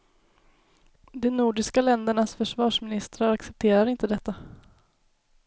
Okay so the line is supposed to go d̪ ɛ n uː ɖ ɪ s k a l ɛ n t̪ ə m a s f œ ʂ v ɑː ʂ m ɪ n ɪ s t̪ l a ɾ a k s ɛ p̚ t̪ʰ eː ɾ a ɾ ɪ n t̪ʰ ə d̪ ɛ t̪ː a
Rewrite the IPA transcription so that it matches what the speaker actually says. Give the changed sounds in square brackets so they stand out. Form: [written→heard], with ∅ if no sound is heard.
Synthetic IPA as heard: d̪ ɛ n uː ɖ ɪ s k a l ɛ n [t̪→d̪] ə [m→ɳ] a s f œ ʂ v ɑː ʂ m ɪ n ɪ s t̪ [l→ɾ] a ɾ a k s ɛ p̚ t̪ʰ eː ɾ a ɾ ɪ n [t̪ʰ→t̪] ə d̪ ɛ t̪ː a